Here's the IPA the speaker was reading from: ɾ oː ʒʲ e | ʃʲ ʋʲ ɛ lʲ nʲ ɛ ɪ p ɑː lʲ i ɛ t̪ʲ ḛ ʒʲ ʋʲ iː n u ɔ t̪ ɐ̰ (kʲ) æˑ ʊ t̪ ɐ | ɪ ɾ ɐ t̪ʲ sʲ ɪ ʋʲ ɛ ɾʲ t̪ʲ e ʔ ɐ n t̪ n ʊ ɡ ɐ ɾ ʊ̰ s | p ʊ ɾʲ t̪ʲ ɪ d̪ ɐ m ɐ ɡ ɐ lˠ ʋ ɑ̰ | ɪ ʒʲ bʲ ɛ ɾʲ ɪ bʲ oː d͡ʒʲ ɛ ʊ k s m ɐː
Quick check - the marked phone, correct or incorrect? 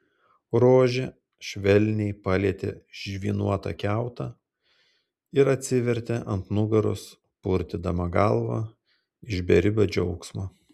correct